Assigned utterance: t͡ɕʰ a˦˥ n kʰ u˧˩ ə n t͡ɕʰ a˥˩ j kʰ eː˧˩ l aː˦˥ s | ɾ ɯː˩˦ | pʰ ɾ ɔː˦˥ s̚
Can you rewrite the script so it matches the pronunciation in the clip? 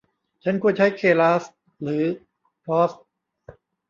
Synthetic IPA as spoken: t͡ɕʰ a˦˥ n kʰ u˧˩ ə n t͡ɕʰ a˦˥ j kʰ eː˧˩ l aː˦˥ s | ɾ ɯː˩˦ | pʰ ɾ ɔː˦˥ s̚